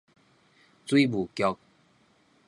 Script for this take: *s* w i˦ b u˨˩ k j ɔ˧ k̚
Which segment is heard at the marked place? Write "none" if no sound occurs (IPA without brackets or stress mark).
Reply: t͡s